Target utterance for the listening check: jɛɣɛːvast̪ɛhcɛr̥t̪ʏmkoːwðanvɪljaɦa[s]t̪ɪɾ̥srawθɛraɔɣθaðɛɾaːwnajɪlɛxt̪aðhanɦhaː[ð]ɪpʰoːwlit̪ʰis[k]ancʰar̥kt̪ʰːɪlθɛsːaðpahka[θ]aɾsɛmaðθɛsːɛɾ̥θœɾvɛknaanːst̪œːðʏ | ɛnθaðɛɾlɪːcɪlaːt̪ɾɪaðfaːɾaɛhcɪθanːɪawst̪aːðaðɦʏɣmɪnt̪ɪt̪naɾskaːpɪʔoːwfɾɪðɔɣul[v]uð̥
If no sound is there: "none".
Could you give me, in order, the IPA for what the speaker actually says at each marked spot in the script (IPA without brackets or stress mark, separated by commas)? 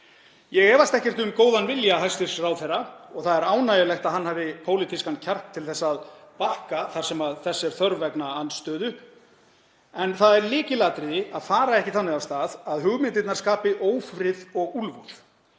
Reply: s, v, k, θ, v